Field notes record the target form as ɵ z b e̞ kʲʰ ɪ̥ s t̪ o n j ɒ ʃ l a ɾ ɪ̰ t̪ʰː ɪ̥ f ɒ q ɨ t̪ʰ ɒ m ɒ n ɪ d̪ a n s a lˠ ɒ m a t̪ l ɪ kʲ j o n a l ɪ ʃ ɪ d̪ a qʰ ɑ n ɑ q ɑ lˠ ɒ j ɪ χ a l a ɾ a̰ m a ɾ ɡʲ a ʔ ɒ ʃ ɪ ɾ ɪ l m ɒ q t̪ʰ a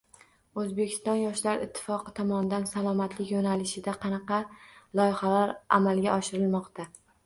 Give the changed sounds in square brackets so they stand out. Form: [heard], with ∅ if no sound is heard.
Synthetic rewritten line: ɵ z b e̞ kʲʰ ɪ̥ s t̪ [ɒ] n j ɒ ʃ l a ɾ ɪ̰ t̪ʰː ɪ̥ f ɒ q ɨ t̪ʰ ɒ m ɒ n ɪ d̪ a n s a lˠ ɒ m a t̪ l ɪ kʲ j o n a l ɪ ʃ ɪ d̪ a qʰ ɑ n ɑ q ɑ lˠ ɒ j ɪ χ a l a ɾ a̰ m a [l] ɡʲ a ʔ ɒ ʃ ɪ ɾ ɪ l m ɒ q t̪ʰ a